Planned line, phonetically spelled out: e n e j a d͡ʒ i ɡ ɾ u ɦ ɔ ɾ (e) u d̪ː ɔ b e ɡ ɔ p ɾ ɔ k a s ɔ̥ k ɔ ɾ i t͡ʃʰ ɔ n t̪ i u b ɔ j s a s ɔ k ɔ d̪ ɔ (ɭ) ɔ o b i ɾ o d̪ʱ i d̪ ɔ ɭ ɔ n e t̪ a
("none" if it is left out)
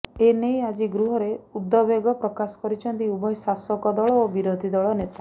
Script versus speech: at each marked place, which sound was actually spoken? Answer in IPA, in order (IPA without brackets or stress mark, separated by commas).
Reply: e, ɭ